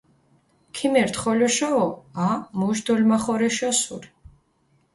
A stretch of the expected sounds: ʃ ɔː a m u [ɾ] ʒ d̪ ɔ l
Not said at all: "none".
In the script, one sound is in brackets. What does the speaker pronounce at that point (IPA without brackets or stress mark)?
none